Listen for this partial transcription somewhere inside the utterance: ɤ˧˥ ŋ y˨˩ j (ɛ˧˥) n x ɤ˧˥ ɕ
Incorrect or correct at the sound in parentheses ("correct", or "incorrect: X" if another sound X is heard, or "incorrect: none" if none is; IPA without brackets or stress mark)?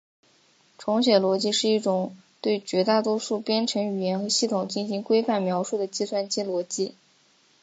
correct